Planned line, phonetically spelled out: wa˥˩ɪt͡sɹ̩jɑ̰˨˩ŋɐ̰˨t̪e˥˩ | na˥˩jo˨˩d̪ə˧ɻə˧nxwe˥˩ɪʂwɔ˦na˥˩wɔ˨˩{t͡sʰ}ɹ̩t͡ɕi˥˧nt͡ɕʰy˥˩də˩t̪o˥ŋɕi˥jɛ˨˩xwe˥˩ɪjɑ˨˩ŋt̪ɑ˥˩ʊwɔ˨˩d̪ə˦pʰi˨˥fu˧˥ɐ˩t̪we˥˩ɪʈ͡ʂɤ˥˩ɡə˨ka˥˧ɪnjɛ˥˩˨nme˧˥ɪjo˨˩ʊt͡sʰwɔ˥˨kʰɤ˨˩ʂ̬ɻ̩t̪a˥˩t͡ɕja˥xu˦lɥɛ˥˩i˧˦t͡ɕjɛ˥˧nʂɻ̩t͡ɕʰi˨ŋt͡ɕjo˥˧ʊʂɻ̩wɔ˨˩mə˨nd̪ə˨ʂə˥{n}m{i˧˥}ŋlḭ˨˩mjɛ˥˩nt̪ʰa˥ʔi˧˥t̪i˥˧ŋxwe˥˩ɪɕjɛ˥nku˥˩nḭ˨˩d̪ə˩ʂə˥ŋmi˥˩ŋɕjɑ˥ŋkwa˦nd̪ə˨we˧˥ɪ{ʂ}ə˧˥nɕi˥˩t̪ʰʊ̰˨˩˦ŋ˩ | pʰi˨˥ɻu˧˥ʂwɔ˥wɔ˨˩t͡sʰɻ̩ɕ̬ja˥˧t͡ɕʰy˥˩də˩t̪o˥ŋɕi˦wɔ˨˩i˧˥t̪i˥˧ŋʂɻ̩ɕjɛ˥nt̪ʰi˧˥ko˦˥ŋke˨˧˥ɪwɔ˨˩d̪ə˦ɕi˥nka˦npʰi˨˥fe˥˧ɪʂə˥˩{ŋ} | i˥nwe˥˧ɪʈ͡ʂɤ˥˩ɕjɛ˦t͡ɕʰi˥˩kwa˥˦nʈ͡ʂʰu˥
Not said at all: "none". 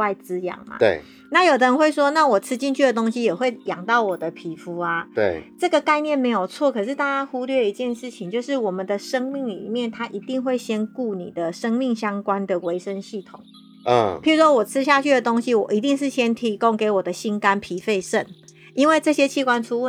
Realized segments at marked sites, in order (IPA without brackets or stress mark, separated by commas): t͡sʰ, ŋ, i˥˩, ʂ, n